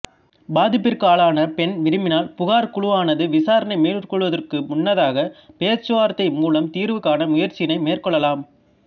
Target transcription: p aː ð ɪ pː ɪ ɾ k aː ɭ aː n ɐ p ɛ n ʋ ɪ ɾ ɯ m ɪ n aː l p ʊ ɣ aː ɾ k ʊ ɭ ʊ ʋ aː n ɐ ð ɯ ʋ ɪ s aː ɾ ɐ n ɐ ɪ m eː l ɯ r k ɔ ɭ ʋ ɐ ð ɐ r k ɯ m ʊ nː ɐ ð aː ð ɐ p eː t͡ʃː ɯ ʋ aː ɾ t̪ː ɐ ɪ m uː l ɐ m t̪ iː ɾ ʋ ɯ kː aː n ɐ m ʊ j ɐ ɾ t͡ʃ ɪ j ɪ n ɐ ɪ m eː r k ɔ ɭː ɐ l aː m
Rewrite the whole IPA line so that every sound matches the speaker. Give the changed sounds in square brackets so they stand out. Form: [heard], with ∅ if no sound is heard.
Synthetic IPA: [b] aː ð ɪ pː ɪ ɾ k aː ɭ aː n ɐ p ɛ n ʋ ɪ ɾ ɯ m ɪ n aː l p ʊ ɣ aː ɾ k ʊ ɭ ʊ ʋ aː n ɐ ð ɯ ʋ ɪ s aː ɾ ɐ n ɐ ɪ m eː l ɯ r k ɔ ɭ ʋ ɐ ð ɐ r k ɯ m ʊ nː ɐ ð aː [ɣ] ɐ p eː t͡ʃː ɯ ʋ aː ɾ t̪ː ɐ ɪ m uː l ɐ m t̪ iː ɾ ʋ ɯ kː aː n ɐ m ʊ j ɐ ɾ t͡ʃ ɪ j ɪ n ɐ ɪ m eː r k ɔ ɭː ɐ l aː m